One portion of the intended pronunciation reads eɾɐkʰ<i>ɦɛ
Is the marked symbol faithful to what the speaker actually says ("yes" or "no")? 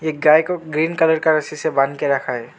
no